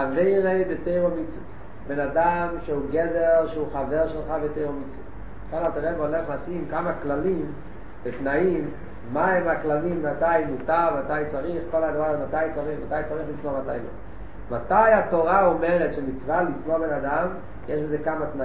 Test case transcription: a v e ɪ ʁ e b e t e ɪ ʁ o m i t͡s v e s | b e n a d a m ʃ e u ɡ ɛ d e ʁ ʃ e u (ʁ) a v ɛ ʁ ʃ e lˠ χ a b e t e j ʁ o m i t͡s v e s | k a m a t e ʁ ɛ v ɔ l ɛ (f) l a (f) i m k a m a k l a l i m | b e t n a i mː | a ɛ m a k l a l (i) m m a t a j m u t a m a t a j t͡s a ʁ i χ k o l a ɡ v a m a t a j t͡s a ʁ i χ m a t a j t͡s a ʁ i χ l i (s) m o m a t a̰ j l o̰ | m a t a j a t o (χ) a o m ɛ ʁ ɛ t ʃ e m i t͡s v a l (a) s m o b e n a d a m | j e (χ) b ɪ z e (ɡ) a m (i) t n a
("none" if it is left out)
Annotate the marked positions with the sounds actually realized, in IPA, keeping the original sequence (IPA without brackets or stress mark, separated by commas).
χ, χ, s, i, s, ʁ, i, ʃ, k, a